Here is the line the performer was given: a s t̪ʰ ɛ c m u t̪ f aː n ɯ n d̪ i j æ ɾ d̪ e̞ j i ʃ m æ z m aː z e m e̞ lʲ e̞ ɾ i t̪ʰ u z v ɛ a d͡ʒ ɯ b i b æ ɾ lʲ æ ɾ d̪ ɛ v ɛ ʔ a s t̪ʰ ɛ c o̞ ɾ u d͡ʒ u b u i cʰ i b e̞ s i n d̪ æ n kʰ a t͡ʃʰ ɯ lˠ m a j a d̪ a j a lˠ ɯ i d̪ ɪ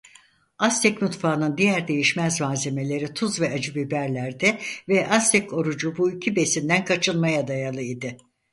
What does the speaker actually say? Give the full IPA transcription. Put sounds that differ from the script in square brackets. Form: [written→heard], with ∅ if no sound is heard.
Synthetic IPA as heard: a s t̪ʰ ɛ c m u t̪ f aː n ɯ n d̪ i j æ ɾ d̪ e̞ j i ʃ m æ z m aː z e m e̞ lʲ e̞ ɾ i t̪ʰ u z v ɛ a d͡ʒ ɯ b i b æ ɾ lʲ æ ɾ d̪ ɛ v ɛ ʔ a s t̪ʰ ɛ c o̞ ɾ u d͡ʒ u b u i cʰ i b e̞ s i n d̪ æ n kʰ a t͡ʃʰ ɯ lˠ m a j a d̪ a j a lˠ ɯ i d̪ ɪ